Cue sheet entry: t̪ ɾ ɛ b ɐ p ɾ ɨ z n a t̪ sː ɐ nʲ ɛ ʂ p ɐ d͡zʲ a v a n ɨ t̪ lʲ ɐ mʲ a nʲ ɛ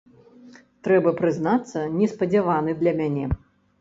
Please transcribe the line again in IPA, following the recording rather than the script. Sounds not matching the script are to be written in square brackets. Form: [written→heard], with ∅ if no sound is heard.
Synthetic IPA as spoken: t̪ ɾ ɛ b ɐ p ɾ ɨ z n a t̪ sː ɐ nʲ ɛ [ʂ→s] p ɐ d͡zʲ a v a n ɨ [t̪→d̪] lʲ ɐ mʲ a nʲ ɛ